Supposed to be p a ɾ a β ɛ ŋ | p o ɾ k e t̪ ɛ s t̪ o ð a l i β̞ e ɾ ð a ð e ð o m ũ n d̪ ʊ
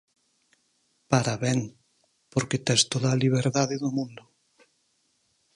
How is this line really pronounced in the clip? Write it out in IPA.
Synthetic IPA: p a ɾ a β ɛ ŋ | p o ɾ k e t̪ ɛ s t̪ o ð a l i β̞ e ɾ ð a ð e ð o m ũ n d̪ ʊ

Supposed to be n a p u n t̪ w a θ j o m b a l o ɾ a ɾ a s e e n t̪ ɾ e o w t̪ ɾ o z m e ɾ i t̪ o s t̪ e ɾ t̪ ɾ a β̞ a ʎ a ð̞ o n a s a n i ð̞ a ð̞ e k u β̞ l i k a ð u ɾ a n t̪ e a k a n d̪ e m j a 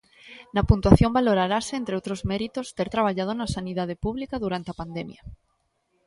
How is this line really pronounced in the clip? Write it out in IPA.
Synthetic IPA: n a p u n t̪ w a θ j o m b a l o ɾ a ɾ a s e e n t̪ ɾ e o w t̪ ɾ o z m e ɾ i t̪ o s t̪ e ɾ t̪ ɾ a β̞ a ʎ a ð̞ o n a s a n i ð̞ a ð̞ e p u β̞ l i k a ð u ɾ a n t̪ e a p a n d̪ e m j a

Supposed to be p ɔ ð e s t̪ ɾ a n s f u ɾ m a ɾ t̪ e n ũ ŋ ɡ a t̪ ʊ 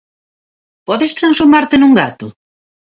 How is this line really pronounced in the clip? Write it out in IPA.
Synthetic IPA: p ɔ ð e s t̪ ɾ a n s f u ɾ m a ɾ t̪ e n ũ ŋ ɡ a t̪ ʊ

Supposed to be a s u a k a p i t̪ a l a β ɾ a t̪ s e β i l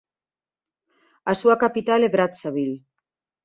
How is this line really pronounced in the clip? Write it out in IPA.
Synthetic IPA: a s u a k a p i t̪ a l e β ɾ a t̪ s a β i l

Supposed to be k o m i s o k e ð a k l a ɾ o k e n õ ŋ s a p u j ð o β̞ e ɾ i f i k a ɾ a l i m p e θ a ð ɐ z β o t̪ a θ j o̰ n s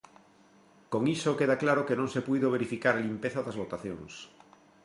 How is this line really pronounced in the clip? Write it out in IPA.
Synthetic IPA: k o ŋ i s o k e ð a k l a ɾ o k e n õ ŋ s e p u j ð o β̞ e ɾ i f i k a ɾ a l i m p e θ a ð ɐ z β o t̪ a θ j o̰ ŋ s

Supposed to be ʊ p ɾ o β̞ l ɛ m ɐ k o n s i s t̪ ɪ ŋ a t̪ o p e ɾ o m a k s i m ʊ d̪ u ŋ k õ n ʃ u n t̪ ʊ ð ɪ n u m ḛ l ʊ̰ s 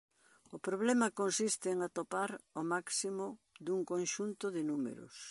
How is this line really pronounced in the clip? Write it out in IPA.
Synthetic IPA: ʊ p ɾ o β̞ l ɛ m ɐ k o n s i s t̪ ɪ ŋ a t̪ o p a ɾ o m a k s i m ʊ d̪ u ŋ k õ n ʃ u n t̪ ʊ ð ɪ n u m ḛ ɾ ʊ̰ s

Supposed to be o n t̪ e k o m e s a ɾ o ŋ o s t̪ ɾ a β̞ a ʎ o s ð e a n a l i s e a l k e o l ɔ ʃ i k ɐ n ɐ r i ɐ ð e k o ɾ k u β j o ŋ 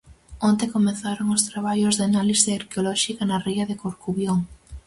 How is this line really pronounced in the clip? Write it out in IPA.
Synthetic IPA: o n t̪ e k o m e θ a ɾ o ŋ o s t̪ ɾ a β̞ a ʎ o z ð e a n a l i s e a ɾ k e o l ɔ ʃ i k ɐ n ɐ r i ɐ ð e k o ɾ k u β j o ŋ

